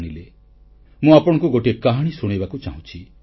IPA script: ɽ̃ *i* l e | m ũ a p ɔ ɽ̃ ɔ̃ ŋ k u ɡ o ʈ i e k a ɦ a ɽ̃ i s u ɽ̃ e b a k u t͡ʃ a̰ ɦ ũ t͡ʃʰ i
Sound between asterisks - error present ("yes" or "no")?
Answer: no